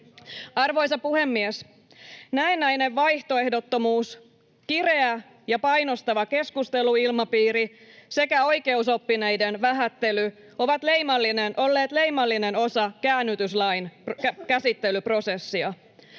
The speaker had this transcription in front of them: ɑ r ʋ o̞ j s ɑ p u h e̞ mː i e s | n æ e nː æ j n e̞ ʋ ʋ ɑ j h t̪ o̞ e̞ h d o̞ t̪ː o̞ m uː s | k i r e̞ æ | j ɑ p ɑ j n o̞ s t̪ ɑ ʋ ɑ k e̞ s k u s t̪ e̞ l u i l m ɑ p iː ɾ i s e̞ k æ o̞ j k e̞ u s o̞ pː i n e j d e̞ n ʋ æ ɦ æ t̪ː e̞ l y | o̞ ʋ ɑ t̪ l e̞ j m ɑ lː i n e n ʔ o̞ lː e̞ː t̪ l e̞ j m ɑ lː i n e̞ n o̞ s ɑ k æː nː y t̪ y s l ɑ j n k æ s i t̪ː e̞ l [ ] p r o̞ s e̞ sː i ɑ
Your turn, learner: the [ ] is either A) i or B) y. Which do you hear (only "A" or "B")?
B